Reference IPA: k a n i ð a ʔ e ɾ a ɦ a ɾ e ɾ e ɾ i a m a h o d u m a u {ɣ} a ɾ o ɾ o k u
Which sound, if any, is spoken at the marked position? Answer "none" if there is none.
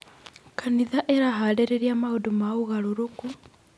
ɣ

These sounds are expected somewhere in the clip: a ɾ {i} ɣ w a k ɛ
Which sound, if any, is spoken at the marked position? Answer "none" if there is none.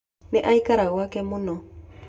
a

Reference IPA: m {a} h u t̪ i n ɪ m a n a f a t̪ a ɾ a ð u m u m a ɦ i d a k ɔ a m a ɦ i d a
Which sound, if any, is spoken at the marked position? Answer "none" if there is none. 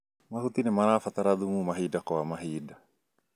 a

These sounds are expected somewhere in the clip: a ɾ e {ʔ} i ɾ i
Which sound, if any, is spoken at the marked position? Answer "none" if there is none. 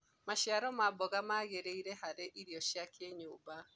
ʔ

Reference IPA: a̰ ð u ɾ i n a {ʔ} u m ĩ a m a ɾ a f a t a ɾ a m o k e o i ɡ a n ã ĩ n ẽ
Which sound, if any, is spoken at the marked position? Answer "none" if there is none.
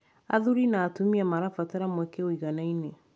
t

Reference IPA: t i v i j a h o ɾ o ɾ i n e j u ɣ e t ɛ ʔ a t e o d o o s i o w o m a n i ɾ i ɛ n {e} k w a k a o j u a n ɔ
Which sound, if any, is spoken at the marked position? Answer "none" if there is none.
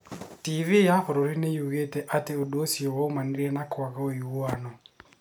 a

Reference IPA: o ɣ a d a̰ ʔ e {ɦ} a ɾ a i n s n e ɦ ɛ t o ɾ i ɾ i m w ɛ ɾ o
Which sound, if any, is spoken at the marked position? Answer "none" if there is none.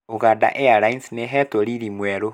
none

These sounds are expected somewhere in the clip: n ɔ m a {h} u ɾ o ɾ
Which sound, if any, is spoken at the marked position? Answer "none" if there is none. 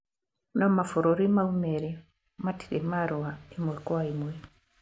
f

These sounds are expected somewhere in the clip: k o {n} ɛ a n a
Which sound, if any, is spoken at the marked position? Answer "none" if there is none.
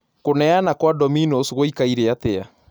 n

